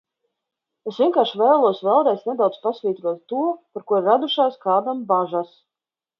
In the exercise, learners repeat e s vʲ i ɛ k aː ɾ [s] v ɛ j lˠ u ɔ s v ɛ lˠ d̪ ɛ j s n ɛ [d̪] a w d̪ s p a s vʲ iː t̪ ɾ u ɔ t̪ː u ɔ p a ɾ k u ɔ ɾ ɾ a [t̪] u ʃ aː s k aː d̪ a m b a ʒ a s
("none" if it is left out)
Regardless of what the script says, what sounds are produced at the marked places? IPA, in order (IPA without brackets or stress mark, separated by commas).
ʃ, d̪, d̪